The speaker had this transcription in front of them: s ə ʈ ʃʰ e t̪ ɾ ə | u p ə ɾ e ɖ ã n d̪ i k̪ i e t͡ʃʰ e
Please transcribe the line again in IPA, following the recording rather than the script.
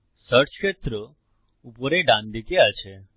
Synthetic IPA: s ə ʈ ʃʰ e t̪ ɾ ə | u p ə ɾ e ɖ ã n d̪ i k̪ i a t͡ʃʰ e

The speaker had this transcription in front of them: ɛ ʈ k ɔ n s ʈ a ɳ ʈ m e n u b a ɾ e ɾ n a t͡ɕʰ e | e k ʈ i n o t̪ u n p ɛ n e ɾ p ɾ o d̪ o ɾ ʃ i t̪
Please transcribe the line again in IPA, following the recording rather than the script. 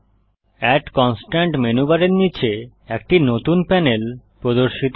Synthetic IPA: ɛ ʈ k ɔ n s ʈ a ɳ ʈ m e n u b a ɾ e ɾ n i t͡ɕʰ e | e k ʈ i n o t̪ u n p ɛ n e l p ɾ o d̪ o ɾ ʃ i t̪

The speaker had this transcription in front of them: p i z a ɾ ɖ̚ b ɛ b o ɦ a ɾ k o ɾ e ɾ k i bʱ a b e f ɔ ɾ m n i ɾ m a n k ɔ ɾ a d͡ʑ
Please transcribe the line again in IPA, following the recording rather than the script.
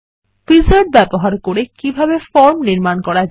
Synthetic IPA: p i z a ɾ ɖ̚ b ɛ b o ɦ a ɾ k o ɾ e k i bʱ a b e f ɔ ɾ m n i ɾ m a n k ɔ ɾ a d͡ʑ

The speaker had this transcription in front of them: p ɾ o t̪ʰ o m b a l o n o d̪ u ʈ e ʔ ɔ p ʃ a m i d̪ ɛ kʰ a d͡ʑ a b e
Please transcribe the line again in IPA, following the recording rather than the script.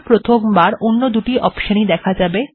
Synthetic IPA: p ɾ o t̪ʰ o m b a ɾ o nː o d̪ u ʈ i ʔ ɔ p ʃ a n i d̪ ɛ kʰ a d͡ʑ a b e

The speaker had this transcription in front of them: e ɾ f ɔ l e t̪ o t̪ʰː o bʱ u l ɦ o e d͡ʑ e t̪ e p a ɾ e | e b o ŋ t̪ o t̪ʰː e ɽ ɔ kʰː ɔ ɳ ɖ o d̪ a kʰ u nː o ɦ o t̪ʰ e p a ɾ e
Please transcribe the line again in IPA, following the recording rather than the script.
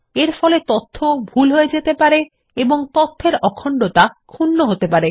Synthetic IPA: e ɾ f ɔ l e t̪ o t̪ʰː o bʱ u l ɦ o e d͡ʑ e t̪ e p a ɾ e | e b o ŋ t̪ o t̪ʰː e ɾ ɔ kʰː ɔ ɳ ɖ o t̪ a kʰ u nː o ɦ o t̪ e p a ɾ e

